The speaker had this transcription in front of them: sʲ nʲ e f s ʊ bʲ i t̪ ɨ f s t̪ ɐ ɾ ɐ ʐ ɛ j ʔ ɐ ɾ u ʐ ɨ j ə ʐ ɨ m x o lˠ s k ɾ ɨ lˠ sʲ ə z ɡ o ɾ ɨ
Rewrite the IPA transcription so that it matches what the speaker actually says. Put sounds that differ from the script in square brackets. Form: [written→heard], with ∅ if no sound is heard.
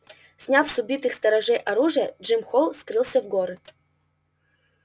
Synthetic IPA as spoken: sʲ nʲ [e→a] f s ʊ bʲ i t̪ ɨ [f→x] s t̪ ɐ ɾ ɐ ʐ ɛ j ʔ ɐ ɾ u ʐ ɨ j ə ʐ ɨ m x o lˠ s k ɾ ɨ lˠ sʲ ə [z→v] ɡ o ɾ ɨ